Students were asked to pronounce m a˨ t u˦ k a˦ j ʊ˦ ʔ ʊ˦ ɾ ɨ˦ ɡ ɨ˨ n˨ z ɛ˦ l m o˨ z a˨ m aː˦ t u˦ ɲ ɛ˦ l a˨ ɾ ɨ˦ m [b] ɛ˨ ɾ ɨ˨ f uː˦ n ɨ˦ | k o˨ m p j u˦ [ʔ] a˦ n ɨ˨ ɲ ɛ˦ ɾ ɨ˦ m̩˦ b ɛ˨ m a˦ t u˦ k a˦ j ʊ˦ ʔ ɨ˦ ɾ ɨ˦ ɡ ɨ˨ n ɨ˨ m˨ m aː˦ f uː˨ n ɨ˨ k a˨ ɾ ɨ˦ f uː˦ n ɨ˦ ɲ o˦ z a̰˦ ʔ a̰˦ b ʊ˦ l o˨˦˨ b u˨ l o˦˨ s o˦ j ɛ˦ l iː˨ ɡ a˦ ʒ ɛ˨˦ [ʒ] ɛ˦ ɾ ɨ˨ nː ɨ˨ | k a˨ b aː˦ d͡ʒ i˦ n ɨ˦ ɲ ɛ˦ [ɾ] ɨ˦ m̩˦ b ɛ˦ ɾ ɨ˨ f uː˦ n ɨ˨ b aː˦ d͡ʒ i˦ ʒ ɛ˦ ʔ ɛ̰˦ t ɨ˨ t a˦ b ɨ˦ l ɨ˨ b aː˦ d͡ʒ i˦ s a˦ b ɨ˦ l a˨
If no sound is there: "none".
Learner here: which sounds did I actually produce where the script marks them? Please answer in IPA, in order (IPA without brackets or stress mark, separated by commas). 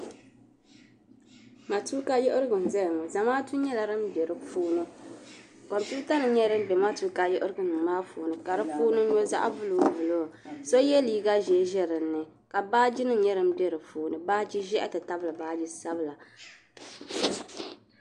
b, t, ʒ, ɾ